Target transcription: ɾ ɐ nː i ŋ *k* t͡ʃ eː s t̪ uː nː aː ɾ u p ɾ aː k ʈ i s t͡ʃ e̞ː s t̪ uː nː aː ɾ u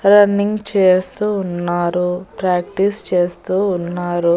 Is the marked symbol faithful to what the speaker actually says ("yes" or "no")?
no